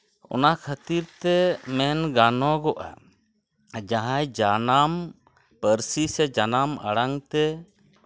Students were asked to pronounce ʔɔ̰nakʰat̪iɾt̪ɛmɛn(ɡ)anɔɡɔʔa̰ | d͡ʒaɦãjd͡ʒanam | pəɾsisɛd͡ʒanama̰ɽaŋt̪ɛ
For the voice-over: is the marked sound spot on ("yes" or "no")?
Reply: yes